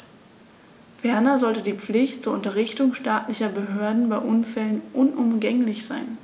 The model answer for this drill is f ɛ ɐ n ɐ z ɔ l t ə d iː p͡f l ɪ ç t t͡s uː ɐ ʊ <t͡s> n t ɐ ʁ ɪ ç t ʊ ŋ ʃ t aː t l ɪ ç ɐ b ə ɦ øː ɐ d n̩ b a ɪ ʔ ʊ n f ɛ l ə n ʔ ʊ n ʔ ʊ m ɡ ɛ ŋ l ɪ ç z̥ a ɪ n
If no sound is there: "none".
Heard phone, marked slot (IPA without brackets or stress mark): none